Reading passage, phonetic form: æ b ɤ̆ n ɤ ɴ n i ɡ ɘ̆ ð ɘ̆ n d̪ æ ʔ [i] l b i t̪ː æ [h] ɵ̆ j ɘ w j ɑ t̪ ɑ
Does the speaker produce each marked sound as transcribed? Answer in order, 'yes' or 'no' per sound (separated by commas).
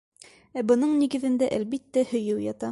no, yes